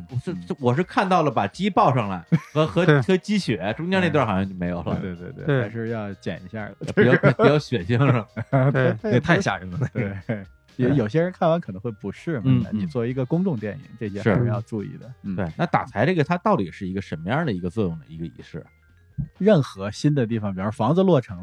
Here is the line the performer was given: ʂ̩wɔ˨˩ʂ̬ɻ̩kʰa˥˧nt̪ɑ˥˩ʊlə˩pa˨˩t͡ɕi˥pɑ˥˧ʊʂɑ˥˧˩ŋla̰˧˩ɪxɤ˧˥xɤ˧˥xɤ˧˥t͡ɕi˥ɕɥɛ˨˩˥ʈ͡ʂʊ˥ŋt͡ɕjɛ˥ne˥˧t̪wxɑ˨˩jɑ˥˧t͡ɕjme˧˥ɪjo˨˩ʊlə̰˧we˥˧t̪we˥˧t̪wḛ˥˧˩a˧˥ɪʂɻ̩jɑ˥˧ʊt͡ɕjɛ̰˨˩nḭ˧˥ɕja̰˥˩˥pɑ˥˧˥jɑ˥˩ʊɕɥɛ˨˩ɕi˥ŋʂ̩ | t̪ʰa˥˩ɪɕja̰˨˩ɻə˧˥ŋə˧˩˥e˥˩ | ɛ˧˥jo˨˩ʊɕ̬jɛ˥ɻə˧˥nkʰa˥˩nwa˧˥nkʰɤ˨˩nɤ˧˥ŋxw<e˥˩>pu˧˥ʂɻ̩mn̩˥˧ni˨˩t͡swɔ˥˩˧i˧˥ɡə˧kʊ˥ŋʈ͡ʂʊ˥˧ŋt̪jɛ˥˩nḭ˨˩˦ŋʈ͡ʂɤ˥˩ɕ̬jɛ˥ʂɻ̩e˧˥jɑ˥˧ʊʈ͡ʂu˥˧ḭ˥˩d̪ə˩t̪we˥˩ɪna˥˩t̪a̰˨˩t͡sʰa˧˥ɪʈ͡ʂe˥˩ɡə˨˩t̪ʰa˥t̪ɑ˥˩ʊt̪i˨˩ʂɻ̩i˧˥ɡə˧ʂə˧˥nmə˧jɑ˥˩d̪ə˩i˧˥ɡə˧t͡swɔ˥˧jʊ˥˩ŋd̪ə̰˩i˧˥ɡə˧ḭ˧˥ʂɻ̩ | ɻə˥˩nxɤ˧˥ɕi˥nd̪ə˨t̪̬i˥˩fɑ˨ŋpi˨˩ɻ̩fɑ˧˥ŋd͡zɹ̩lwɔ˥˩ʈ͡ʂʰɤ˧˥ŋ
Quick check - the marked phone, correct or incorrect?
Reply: correct